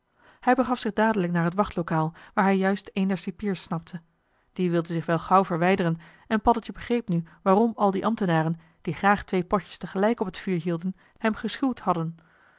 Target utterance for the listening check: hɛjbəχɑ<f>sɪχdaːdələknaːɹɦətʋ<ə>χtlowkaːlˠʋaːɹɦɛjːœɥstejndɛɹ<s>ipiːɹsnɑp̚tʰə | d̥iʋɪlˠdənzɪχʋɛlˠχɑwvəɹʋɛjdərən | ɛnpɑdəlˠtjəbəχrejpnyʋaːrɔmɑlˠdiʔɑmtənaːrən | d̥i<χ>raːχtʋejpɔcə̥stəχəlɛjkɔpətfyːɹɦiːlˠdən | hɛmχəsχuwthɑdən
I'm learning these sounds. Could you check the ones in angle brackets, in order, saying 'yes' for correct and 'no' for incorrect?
yes, no, yes, yes

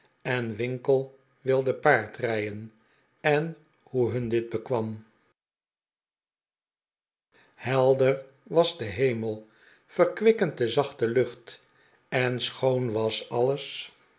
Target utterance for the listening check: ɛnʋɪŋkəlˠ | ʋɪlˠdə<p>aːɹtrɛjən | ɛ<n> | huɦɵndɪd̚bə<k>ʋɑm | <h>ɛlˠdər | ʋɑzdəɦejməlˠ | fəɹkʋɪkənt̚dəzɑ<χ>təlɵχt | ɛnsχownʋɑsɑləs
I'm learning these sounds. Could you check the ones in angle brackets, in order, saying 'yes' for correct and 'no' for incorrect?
yes, yes, yes, yes, yes

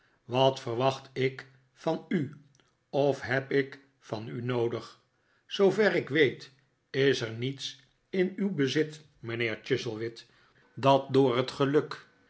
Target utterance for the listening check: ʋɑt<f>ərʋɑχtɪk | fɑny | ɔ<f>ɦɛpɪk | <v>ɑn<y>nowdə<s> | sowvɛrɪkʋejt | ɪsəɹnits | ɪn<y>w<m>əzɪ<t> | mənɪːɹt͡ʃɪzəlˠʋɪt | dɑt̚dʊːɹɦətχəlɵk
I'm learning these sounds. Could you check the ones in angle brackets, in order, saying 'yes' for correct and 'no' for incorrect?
yes, yes, no, yes, no, yes, no, yes

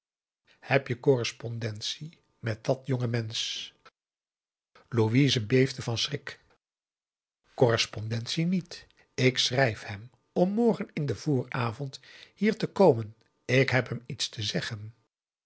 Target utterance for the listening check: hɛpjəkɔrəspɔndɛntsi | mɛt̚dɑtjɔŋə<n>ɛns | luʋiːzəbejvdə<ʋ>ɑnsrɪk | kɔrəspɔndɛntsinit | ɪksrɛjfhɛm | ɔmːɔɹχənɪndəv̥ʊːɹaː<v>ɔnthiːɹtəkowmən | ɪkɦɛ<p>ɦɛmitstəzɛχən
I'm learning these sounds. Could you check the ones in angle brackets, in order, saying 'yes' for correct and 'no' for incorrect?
no, no, yes, yes

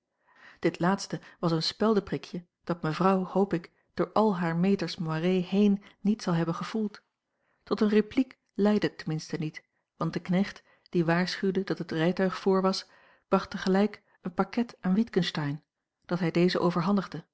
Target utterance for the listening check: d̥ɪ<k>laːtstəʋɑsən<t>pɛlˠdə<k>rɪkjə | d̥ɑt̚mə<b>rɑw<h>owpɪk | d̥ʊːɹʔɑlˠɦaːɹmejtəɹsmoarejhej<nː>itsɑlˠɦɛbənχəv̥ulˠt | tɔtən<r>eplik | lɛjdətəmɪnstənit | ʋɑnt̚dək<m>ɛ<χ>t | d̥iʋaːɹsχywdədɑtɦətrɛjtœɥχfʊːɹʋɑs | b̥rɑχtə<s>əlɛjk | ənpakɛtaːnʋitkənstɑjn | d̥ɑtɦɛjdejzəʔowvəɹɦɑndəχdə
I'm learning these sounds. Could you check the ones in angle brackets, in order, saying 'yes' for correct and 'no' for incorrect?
no, no, no, no, yes, yes, yes, no, yes, no

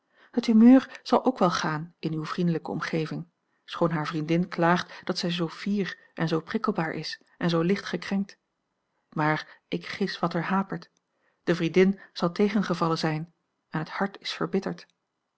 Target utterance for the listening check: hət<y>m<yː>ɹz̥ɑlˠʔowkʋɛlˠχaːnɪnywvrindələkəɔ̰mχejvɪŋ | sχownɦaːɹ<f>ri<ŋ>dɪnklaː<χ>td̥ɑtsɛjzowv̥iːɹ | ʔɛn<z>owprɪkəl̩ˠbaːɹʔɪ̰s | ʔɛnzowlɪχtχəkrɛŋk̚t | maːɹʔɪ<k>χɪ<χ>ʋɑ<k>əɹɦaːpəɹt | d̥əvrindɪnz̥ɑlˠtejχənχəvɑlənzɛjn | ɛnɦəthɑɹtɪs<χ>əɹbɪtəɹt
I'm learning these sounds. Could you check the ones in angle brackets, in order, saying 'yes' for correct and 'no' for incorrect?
yes, no, no, no, yes, yes, yes, no, no, no

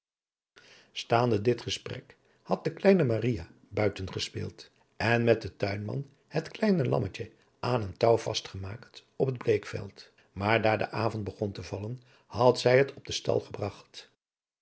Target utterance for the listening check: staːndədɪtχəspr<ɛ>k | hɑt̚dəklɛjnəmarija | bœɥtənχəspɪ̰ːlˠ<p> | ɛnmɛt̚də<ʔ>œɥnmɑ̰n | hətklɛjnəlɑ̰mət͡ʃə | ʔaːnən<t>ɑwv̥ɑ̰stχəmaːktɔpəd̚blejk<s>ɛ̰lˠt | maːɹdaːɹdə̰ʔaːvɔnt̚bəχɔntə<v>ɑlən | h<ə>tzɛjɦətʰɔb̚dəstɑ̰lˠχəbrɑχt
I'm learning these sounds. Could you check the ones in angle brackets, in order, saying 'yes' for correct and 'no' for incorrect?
yes, no, no, yes, no, yes, no

